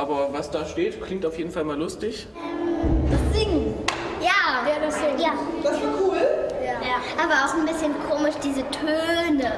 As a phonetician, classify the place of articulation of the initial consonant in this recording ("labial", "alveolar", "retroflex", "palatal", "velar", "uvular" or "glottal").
glottal